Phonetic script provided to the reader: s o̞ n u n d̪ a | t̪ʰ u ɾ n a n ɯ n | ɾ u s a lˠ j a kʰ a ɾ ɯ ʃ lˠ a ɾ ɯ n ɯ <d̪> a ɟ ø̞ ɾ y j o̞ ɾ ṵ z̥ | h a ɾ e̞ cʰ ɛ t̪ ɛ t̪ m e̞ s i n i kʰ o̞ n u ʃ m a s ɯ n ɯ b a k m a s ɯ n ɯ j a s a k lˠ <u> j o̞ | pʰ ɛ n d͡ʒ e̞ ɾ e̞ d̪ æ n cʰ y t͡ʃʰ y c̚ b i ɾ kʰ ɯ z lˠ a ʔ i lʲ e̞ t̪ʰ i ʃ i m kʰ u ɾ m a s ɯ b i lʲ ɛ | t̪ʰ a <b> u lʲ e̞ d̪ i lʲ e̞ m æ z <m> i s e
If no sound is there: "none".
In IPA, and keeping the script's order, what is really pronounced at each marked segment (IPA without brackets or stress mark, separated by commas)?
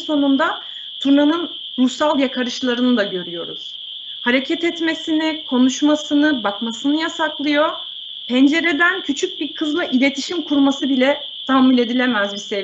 d̪, ɯ, m, b